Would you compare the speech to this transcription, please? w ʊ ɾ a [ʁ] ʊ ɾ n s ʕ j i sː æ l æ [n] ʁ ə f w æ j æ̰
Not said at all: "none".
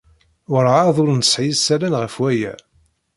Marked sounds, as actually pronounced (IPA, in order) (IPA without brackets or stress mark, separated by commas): ð, n